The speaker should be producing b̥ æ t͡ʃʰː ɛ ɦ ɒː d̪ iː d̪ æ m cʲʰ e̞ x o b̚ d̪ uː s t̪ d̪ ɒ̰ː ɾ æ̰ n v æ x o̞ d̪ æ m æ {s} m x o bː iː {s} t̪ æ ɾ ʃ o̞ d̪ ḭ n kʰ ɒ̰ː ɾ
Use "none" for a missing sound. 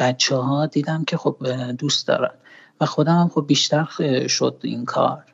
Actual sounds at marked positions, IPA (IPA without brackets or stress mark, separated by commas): none, ʃ